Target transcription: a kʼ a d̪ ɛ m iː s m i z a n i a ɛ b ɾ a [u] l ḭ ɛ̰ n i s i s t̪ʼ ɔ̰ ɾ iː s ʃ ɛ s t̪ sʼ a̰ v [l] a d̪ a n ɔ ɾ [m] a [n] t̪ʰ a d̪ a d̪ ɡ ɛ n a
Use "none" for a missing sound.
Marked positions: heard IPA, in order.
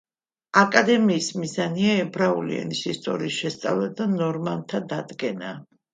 u, l, m, n

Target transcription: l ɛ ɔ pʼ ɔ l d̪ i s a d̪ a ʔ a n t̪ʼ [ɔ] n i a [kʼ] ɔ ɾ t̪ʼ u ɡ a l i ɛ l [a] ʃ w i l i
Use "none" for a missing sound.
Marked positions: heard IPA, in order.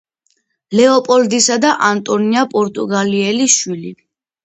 ɔ, pʼ, i

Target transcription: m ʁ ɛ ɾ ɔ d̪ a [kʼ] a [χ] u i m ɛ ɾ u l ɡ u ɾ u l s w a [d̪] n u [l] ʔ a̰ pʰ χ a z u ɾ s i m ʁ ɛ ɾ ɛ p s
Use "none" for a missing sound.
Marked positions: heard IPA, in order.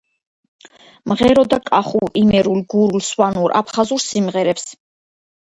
kʼ, χ, none, ɾ

